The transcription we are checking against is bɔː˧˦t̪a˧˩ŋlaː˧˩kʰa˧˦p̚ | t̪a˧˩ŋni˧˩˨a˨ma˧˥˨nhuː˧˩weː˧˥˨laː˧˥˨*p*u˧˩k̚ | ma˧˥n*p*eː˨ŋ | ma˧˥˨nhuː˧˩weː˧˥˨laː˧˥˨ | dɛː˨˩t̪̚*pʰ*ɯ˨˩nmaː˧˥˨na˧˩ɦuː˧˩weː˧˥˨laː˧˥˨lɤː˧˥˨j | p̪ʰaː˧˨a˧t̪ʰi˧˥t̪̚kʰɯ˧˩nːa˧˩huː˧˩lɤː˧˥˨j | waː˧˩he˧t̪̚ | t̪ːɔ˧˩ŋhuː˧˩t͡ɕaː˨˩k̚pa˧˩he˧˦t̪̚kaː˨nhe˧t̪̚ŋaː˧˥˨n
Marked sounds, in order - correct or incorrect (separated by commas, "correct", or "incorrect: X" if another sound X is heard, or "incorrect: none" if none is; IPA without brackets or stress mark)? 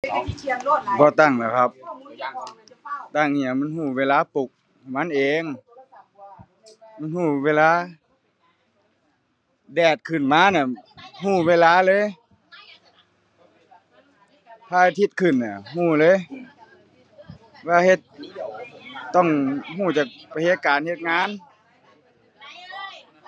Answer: correct, incorrect: ʔ, incorrect: kʰ